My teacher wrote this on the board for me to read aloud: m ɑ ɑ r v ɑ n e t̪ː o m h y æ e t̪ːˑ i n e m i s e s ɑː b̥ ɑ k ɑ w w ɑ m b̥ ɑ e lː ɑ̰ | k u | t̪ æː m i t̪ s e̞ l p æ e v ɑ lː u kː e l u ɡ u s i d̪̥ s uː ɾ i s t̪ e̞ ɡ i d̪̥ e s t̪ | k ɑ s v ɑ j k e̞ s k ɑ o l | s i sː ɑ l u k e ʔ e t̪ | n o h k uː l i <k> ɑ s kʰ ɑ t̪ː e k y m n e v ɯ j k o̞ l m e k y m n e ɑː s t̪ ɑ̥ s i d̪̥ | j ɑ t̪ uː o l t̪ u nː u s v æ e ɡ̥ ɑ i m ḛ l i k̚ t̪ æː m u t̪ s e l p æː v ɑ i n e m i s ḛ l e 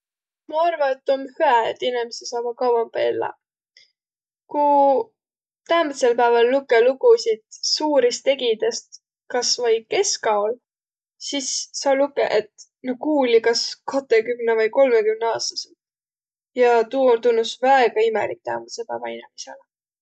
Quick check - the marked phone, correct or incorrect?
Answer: correct